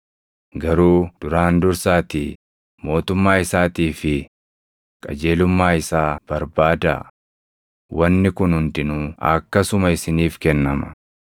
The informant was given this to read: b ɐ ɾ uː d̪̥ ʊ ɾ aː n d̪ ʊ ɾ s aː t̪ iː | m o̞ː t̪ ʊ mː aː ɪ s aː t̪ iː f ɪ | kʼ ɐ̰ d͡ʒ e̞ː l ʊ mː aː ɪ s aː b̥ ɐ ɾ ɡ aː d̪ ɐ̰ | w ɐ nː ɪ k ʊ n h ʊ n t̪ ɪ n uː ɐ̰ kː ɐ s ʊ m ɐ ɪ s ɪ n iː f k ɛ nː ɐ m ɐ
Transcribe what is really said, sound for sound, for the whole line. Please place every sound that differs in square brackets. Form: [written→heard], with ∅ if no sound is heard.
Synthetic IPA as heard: [b→ɡ] ɐ ɾ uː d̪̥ ʊ ɾ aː n d̪ ʊ ɾ s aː t̪ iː | m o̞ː t̪ ʊ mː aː ɪ s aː t̪ iː f ɪ | kʼ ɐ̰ d͡ʒ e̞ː l ʊ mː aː ɪ s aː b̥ ɐ ɾ [ɡ→b] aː d̪ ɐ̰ | w ɐ nː ɪ k ʊ n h ʊ n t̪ ɪ n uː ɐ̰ kː ɐ s ʊ m ɐ ɪ s ɪ n iː f k ɛ nː ɐ m ɐ